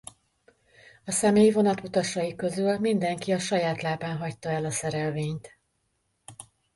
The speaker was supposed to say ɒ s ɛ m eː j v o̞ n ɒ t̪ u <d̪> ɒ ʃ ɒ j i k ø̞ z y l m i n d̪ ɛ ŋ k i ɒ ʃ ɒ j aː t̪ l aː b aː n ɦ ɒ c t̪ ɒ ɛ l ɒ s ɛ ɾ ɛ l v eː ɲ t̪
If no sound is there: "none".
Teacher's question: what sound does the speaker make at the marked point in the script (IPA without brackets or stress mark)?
t̪